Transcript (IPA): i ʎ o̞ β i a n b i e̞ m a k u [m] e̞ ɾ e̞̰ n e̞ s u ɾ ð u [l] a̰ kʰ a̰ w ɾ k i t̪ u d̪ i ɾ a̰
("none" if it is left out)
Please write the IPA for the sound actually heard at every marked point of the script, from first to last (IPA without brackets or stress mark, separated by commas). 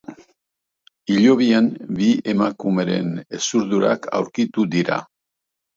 m, ɾ